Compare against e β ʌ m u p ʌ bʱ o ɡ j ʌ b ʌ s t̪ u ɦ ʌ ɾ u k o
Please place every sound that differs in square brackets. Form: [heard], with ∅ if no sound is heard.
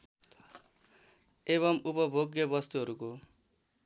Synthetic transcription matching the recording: e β ʌ m u p ʌ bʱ o ɡ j ʌ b ʌ s t̪ u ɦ ʌ ɾ u k o